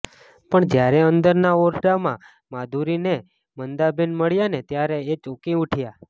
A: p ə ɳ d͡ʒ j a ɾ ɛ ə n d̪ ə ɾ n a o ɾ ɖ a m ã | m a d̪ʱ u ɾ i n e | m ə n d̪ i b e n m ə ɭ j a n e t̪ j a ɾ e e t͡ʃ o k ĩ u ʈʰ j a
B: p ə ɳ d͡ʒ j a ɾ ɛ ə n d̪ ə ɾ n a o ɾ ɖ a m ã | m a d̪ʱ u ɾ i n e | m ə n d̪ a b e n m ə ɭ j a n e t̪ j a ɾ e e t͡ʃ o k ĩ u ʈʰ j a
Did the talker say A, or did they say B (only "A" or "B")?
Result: B